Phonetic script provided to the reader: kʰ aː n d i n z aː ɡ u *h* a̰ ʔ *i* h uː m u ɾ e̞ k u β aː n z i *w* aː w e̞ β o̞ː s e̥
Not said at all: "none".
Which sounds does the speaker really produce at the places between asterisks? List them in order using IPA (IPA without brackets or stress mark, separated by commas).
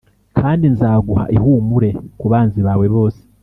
h, i, β